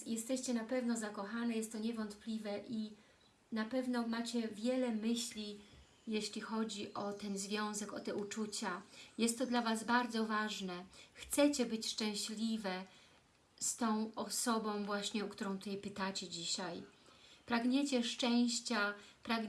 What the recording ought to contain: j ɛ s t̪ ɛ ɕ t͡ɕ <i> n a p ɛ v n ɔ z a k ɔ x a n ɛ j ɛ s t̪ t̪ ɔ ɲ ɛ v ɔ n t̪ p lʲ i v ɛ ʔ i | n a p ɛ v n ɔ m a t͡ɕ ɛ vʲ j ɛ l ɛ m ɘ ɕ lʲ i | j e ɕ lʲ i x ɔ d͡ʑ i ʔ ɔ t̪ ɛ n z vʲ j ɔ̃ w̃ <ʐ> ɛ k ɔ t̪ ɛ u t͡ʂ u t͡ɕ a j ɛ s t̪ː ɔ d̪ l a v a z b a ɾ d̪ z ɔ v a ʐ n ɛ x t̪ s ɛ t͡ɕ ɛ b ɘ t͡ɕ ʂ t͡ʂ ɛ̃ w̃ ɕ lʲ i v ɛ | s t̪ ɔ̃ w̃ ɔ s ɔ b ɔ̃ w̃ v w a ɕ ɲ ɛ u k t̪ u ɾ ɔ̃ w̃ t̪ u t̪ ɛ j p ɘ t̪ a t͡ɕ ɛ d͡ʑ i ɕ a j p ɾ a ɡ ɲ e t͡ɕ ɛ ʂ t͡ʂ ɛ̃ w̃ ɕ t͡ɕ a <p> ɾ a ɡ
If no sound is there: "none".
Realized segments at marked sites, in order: ɛ, z, p

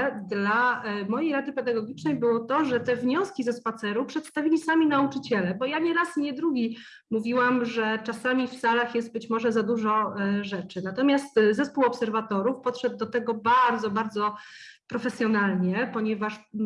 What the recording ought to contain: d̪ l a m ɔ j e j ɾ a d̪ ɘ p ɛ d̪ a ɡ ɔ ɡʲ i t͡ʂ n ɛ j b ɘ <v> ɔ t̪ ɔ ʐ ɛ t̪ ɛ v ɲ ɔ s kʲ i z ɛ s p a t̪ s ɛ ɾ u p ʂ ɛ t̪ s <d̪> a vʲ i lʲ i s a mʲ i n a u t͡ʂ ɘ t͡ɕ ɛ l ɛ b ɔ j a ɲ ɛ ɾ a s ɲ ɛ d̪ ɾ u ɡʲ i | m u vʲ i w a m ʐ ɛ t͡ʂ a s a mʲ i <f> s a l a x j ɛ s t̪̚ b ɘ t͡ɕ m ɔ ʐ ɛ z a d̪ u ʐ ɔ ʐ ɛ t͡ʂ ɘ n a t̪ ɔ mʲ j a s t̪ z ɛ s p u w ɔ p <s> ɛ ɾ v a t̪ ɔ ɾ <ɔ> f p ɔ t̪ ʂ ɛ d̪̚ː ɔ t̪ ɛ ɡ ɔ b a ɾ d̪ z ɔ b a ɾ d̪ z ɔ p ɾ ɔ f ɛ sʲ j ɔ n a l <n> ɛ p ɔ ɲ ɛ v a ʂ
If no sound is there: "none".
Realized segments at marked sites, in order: w, t̪, f, s, u, ɲ

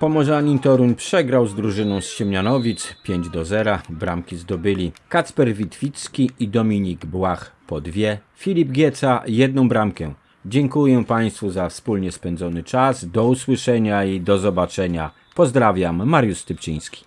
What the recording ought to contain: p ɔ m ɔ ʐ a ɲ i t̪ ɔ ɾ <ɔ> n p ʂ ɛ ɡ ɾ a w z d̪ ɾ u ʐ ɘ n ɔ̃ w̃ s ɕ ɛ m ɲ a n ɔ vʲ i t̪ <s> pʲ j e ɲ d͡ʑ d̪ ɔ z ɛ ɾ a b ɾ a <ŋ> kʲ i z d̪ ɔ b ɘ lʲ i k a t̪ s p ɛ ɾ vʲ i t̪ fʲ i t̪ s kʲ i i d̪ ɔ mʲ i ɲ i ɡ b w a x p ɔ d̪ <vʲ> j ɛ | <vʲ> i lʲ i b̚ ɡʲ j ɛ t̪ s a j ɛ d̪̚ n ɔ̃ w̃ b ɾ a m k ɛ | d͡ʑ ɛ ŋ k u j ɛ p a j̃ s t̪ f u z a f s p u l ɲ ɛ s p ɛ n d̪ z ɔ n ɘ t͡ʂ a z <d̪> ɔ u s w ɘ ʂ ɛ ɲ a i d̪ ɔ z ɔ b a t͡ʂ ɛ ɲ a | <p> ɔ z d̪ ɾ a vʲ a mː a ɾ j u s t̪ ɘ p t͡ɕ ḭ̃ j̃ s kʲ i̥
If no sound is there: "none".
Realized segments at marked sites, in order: u, s, m, vʲ, fʲ, d̪, p

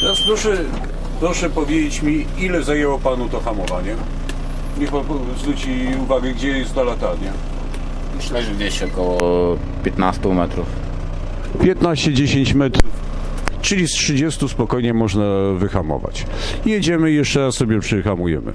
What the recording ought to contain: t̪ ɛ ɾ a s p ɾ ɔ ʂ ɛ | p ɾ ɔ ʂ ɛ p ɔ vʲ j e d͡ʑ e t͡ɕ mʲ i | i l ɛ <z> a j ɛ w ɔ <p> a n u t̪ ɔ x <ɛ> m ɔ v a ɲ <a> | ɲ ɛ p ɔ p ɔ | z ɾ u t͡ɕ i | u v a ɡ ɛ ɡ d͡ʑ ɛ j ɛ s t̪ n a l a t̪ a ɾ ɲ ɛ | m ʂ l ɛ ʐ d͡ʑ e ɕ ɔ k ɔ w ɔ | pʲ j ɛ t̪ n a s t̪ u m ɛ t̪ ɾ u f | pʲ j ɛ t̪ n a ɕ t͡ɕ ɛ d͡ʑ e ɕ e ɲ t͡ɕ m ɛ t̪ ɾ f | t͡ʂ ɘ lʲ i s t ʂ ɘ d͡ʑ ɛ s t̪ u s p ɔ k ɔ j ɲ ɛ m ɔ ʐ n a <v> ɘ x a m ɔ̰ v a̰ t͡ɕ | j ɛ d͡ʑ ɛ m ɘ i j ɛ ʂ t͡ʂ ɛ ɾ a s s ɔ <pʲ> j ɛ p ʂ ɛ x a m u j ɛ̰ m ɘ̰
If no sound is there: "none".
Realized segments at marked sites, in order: z, p, a, ɛ, v, bʲ

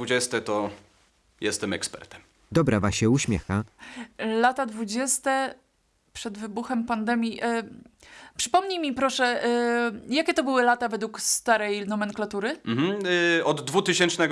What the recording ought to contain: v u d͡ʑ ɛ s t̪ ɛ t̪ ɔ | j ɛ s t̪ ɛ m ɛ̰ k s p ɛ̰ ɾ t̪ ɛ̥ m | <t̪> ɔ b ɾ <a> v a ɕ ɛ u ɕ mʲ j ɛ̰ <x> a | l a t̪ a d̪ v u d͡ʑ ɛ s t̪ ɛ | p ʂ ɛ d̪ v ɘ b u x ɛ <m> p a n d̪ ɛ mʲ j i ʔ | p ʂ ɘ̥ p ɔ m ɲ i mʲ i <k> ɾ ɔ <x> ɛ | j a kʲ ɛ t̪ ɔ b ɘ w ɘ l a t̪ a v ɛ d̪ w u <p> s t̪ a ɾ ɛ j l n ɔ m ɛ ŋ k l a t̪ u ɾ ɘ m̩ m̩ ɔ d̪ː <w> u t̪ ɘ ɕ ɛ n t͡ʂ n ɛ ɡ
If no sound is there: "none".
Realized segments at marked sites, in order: d̪, a, x, m, p, ʂ, k, v

